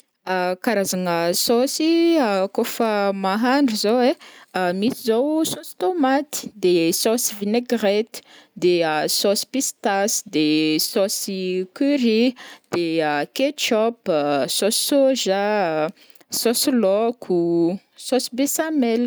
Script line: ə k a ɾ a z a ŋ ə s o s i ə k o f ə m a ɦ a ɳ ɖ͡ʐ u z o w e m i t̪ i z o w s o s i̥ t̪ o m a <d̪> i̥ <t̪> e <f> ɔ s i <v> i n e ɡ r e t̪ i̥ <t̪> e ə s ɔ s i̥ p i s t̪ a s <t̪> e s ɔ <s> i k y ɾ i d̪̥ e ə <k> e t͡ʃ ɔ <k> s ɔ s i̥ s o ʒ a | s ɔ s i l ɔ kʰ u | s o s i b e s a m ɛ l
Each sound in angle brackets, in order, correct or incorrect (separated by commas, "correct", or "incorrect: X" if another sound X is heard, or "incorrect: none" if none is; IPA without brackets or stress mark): incorrect: t̪, incorrect: d̪, incorrect: s, correct, incorrect: d̪, incorrect: d̪, correct, correct, incorrect: p